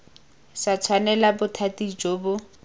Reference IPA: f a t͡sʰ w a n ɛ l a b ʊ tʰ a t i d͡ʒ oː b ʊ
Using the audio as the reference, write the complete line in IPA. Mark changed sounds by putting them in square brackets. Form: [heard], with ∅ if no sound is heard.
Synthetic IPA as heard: [s] a t͡sʰ w a n ɛ l a b ʊ tʰ a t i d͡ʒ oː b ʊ